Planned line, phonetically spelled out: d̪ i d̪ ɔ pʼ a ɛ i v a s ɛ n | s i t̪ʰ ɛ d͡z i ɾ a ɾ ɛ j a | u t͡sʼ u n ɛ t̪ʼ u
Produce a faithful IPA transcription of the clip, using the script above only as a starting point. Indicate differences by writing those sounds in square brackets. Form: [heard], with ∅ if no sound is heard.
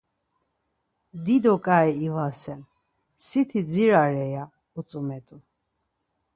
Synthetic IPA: d̪ i d̪ ɔ [kʼ] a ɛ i v a s ɛ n | s i t̪ʰ [i] d͡z i ɾ a ɾ ɛ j a | u t͡sʼ u [m] ɛ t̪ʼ u

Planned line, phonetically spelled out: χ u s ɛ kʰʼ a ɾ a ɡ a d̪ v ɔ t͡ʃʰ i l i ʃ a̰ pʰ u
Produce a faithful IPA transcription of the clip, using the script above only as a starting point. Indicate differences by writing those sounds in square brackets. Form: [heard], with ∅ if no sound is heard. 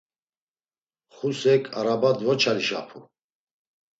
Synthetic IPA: χ u s ɛ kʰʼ a ɾ a [b] a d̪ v ɔ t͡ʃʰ [a] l i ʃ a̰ pʰ u

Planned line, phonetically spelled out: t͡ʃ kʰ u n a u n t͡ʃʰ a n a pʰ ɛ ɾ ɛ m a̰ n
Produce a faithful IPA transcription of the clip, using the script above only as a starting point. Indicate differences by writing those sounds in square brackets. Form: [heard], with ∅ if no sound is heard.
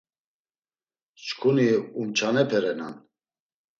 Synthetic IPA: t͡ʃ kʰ u n [i] u [m] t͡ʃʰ a n [ɛ] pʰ ɛ ɾ ɛ [n] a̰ n

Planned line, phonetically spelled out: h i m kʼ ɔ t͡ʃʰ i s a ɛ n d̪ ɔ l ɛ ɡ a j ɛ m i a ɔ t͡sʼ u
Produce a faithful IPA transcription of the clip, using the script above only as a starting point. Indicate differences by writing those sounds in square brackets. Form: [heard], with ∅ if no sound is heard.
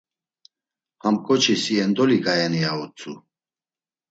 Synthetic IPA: h [a] m kʼ ɔ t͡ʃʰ i s [i] ɛ n d̪ ɔ l [i] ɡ a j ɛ [n] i a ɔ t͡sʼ u

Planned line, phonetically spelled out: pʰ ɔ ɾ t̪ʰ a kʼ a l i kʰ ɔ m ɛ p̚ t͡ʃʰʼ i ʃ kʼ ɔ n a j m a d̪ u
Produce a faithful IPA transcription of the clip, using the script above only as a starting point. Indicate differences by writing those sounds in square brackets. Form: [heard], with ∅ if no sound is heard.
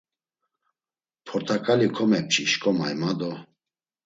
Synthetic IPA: pʰ ɔ ɾ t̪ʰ a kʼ a l i kʰ ɔ m ɛ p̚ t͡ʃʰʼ i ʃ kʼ ɔ [m] a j m a d̪ [ɔ]

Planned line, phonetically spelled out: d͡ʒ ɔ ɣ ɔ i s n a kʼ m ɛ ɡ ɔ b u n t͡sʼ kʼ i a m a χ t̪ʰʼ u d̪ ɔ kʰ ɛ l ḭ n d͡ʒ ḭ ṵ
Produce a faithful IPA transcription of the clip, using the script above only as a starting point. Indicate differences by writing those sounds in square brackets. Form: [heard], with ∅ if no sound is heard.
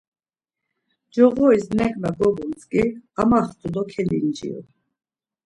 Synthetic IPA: d͡ʒ ɔ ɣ ɔ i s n [ɛ] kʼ m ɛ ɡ ɔ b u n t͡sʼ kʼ i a m a χ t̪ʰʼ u d̪ ɔ kʰ ɛ l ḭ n d͡ʒ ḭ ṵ

